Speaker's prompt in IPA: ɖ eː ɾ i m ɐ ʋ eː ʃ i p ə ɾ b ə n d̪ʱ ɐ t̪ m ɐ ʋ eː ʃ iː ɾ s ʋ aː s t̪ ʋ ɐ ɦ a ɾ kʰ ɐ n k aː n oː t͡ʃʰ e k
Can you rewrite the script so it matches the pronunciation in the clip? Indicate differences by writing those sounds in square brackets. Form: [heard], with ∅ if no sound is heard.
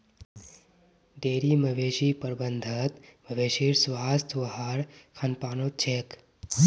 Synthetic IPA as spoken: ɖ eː ɾ i m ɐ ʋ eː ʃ i p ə ɾ b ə n d̪ʱ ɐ t̪ m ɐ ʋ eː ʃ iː ɾ s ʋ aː s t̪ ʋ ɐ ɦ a ɾ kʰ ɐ n [p] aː n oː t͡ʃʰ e k